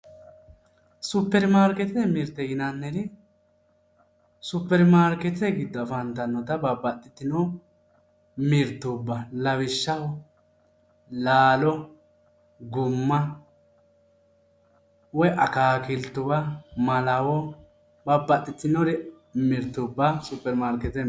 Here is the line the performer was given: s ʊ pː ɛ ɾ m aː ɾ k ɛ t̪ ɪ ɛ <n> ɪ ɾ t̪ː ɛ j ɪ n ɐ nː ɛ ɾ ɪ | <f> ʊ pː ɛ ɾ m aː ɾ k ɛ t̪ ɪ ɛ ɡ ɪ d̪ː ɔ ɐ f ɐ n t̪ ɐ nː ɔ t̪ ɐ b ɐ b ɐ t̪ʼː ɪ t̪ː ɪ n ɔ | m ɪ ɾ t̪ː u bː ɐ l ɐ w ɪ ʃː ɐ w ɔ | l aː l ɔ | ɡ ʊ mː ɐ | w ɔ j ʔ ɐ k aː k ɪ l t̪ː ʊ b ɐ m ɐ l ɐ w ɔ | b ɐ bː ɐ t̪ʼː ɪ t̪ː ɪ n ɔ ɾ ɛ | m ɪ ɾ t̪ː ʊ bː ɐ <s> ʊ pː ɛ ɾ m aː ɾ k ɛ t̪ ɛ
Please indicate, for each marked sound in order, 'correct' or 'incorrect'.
incorrect: m, incorrect: s, correct

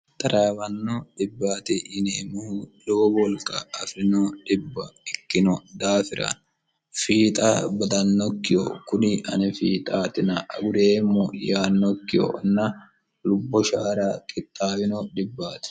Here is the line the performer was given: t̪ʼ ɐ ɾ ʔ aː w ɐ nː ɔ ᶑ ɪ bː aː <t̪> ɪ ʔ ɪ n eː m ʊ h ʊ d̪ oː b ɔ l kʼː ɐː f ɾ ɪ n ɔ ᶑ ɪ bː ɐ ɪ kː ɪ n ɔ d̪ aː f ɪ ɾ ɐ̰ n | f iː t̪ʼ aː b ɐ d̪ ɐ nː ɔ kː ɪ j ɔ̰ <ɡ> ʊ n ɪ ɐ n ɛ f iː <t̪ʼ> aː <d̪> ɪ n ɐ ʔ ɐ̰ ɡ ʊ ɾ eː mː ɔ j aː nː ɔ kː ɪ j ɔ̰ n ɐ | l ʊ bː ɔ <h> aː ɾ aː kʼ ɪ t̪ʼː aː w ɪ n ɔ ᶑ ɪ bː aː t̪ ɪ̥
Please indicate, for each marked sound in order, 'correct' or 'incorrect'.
correct, incorrect: k, correct, incorrect: t̪, incorrect: ʃ

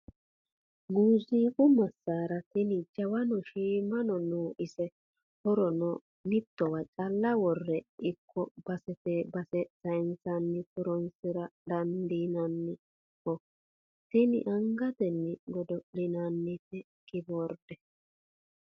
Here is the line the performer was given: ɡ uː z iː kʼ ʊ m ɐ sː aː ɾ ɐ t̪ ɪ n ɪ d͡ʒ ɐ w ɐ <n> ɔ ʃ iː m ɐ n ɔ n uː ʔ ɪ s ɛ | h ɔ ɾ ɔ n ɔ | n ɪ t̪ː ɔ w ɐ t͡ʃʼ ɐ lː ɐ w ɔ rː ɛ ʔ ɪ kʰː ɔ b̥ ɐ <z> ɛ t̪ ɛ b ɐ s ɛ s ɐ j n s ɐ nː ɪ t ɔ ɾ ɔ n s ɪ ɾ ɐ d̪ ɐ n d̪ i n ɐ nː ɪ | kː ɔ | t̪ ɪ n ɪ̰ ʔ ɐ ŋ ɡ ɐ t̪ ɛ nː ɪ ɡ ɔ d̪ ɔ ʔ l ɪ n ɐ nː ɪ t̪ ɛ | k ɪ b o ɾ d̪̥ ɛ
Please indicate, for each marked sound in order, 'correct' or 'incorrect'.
correct, incorrect: s

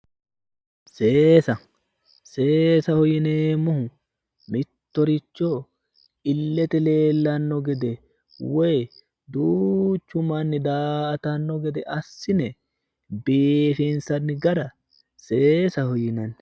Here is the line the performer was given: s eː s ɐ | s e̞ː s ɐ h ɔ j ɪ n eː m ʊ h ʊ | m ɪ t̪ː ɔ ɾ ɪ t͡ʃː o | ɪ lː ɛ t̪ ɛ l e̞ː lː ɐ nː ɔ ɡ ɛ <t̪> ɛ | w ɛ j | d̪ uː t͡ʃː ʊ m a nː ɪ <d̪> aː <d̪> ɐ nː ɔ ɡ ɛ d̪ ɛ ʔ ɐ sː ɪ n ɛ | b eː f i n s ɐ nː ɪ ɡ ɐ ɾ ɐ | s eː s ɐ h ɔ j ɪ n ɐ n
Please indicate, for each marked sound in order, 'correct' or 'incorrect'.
incorrect: d̪, correct, incorrect: t̪

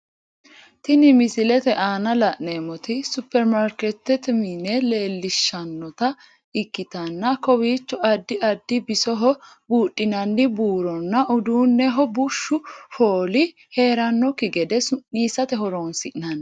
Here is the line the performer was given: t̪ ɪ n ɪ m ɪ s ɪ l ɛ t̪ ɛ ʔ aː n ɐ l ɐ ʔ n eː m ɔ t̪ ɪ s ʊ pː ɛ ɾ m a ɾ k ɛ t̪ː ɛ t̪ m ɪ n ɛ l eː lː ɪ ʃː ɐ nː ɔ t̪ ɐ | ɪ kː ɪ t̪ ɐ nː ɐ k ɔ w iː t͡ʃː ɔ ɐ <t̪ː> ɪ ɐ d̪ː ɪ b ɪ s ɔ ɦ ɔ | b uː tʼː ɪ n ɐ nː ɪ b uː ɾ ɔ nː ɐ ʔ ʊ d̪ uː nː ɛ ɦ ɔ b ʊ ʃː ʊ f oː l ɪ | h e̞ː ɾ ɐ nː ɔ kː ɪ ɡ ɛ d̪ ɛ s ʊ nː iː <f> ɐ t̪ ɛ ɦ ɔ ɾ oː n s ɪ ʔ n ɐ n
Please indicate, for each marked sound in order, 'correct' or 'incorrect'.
incorrect: d̪ː, incorrect: s

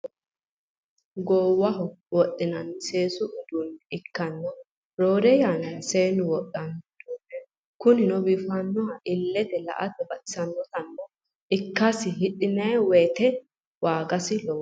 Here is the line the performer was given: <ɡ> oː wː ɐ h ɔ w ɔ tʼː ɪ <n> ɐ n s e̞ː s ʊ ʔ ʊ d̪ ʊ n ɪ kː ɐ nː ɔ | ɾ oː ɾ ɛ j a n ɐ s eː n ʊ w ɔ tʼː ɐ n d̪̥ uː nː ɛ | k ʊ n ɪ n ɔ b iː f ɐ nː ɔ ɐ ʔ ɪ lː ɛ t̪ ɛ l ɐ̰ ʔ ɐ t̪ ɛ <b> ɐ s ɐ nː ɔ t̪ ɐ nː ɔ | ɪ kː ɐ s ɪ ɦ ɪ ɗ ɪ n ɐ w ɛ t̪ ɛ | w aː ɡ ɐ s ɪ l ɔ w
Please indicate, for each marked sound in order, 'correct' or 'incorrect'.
correct, correct, correct

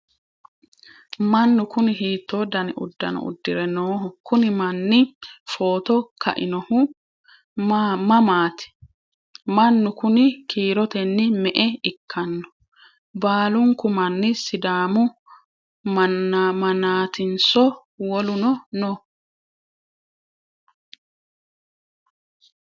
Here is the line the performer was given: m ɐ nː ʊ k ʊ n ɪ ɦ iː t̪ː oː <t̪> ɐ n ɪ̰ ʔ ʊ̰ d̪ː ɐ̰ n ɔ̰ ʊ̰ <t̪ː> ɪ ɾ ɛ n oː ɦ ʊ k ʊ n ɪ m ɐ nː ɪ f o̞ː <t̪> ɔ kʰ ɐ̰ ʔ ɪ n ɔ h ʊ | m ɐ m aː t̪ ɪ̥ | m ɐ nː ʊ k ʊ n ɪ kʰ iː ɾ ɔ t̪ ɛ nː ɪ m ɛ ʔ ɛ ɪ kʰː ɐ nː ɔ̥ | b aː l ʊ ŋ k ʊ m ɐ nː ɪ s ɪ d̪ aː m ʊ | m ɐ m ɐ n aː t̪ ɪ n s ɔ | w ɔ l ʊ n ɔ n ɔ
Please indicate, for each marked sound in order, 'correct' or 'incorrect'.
incorrect: d̪, incorrect: d̪ː, correct

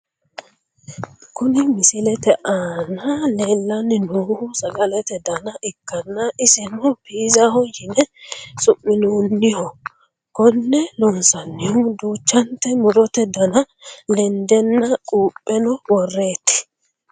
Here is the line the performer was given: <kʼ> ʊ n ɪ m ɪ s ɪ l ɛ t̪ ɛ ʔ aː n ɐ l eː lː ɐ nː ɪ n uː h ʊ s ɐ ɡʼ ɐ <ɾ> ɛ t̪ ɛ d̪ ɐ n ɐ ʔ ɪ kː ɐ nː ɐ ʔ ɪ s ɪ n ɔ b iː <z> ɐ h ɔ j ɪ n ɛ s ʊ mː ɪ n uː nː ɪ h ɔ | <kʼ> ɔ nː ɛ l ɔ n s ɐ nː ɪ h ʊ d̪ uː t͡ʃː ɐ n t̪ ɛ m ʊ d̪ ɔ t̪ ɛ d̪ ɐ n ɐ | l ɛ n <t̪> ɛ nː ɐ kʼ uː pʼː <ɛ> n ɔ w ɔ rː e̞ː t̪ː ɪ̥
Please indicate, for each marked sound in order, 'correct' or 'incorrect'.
incorrect: k, incorrect: l, correct, incorrect: k, incorrect: d̪, correct

